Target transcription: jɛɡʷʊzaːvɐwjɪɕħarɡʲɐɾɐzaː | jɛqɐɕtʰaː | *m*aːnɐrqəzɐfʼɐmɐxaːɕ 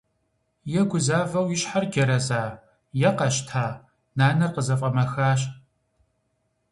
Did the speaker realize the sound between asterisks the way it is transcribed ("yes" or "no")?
no